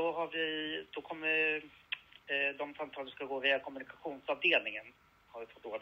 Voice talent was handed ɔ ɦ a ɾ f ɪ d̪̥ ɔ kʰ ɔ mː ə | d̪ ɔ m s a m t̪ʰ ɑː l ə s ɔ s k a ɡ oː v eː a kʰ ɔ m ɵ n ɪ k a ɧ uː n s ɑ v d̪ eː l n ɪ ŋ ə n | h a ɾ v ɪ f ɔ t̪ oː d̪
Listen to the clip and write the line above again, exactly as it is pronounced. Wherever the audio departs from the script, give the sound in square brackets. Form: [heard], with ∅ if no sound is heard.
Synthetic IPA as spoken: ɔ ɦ a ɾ [v] ɪ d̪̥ ɔ kʰ ɔ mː ə | d̪ ɔ m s a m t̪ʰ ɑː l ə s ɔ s k a ɡ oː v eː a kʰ ɔ m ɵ n ɪ k a ɧ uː n s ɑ v d̪ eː l n ɪ ŋ ə n | h a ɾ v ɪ f ɔ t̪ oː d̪